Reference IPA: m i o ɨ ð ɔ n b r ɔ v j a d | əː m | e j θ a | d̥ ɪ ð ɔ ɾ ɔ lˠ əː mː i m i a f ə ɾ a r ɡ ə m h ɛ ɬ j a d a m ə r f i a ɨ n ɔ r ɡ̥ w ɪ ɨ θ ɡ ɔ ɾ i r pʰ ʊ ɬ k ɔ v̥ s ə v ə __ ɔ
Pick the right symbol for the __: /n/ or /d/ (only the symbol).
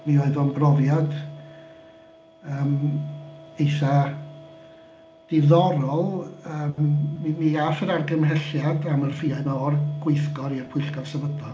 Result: d